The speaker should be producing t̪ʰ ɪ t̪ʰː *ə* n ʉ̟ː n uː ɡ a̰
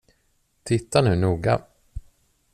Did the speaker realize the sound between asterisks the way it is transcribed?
no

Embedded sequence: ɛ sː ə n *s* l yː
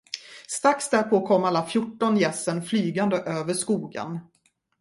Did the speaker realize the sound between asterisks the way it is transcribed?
no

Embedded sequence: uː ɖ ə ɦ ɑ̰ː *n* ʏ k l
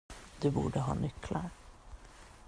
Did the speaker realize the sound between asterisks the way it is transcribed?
yes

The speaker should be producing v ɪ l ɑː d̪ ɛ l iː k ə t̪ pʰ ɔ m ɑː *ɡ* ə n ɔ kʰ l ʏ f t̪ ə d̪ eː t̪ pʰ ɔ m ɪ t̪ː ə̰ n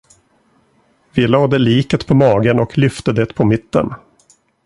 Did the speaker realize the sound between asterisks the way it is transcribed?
yes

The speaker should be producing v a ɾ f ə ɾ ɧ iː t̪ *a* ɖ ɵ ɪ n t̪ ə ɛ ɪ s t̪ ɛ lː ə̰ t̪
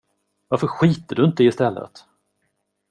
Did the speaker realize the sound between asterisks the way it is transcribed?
no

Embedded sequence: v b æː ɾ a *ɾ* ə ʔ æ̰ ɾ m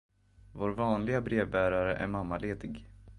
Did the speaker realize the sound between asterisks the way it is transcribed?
yes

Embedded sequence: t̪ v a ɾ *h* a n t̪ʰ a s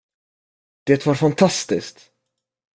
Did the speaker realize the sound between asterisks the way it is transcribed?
no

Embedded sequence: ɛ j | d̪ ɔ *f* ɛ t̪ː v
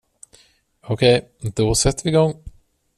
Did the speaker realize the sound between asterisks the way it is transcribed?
no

